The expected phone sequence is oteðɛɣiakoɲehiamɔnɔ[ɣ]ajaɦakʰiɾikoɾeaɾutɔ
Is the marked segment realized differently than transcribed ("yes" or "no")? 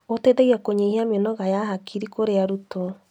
no